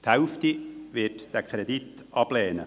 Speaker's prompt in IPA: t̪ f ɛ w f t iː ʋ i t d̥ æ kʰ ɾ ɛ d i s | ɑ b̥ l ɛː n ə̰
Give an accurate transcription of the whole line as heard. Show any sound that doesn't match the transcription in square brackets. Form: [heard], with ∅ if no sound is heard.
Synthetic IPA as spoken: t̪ [h] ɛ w f t [i] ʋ [ɪ] t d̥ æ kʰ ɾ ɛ d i [t] | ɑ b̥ l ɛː n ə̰